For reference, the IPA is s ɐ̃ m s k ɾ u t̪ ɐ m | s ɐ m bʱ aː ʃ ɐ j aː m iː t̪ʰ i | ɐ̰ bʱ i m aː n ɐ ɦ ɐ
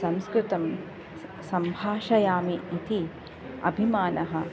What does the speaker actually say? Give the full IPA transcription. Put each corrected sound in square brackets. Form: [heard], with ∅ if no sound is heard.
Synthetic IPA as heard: s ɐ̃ m s k ɾ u t̪ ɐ m | s ɐ m bʱ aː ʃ ɐ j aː m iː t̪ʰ i | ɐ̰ bʱ i m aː n ɐ ɦ ɐ